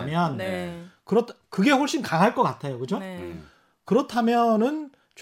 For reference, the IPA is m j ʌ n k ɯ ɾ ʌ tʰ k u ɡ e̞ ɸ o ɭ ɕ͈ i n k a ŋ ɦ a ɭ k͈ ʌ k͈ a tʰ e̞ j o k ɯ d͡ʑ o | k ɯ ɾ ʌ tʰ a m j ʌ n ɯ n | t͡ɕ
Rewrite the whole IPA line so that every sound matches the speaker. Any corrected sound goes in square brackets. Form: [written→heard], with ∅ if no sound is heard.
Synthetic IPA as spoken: m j ʌ n k ɯ ɾ ʌ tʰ k [u→ɯ] ɡ e̞ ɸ o ɭ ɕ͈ i n k a ŋ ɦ a ɭ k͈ ʌ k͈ a tʰ e̞ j o k ɯ d͡ʑ o | k ɯ ɾ ʌ tʰ a m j ʌ n ɯ n | t͡ɕ